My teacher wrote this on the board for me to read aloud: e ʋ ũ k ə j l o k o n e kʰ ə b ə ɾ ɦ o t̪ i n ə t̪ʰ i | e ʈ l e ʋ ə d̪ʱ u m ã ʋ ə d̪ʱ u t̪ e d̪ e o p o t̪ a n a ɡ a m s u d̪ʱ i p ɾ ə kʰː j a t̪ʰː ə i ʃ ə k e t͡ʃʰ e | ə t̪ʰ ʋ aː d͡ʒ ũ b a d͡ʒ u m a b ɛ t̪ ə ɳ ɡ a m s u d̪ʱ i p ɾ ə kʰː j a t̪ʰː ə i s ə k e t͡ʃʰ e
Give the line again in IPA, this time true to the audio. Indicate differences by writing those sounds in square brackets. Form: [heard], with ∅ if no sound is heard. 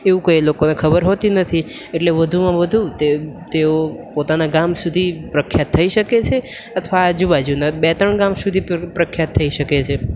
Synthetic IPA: e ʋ ũ k ə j l o k o n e kʰ ə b ə ɾ ɦ o t̪ i n ə t̪ʰ i | e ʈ l e ʋ ə d̪ʱ u m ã ʋ ə d̪ʱ u t̪ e [t̪] e o p o t̪ a n a ɡ a m s u d̪ʱ i p ɾ ə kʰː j a t̪ʰː ə i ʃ ə k e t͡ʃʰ e | ə t̪ʰ ʋ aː d͡ʒ [u] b a d͡ʒ u [n] a b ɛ t̪ ə ɳ ɡ a m s u d̪ʱ i p ɾ ə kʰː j a t̪ʰː ə i [ʃ] ə k e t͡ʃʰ e

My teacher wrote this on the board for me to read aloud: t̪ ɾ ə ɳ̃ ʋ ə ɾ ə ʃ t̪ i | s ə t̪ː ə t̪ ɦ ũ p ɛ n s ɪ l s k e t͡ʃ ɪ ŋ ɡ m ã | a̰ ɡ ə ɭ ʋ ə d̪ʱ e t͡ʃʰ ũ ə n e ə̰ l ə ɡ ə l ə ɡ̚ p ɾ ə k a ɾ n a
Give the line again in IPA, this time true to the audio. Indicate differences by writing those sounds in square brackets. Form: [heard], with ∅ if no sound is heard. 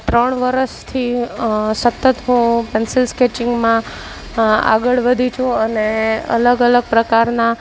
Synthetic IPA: t̪ ɾ ə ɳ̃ ʋ ə ɾ ə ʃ [t̪ʰ] i | s ə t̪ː ə t̪ ɦ ũ p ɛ n s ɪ l s k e t͡ʃ ɪ ŋ ɡ m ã | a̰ ɡ ə ɭ ʋ ə d̪ʱ [i] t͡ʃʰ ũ ə n e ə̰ l ə ɡ ə l ə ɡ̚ p ɾ ə k a ɾ n a

